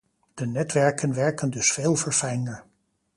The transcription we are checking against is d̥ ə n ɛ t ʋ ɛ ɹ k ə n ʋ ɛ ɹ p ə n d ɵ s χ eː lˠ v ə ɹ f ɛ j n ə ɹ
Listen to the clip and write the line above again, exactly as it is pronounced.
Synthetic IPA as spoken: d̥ ə n ɛ t ʋ ɛ ɹ k ə n ʋ ɛ ɹ k ə n d ɵ s f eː lˠ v ə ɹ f ɛ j n ə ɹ